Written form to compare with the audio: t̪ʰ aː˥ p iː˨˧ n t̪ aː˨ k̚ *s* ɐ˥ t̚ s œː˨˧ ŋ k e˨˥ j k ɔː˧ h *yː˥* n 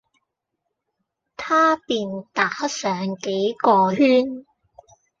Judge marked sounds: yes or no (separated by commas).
no, yes